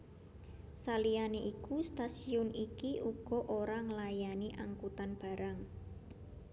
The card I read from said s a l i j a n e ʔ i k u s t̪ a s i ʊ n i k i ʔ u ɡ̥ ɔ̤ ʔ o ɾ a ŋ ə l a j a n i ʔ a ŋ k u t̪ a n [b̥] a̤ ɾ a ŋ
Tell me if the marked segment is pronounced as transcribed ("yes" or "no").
yes